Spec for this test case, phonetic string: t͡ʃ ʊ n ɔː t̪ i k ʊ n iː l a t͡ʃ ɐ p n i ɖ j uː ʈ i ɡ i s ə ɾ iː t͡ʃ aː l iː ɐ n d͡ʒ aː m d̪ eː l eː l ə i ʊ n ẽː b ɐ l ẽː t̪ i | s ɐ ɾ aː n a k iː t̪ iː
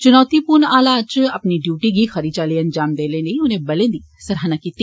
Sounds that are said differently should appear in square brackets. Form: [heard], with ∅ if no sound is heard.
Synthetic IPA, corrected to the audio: t͡ʃ ʊ n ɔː t̪ i [p] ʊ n [aː] l a t͡ʃ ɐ p n i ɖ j uː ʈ i ɡ i [x] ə ɾ iː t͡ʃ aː l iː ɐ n d͡ʒ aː m d̪ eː l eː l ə i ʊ n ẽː b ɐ l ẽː [d̪] i | s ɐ ɾ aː n a k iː t̪ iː